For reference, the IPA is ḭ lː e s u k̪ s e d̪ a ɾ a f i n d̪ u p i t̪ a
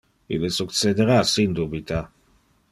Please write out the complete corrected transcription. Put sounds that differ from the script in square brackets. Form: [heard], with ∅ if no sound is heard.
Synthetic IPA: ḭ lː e s u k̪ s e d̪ [e] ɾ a [s] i n d̪ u [b] i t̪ a